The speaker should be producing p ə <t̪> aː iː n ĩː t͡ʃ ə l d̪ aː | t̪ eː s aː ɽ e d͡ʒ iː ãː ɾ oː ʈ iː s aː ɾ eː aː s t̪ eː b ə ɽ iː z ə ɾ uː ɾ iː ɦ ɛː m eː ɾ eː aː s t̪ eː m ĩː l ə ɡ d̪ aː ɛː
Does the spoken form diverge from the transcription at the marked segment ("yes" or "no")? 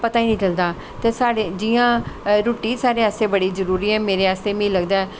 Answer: no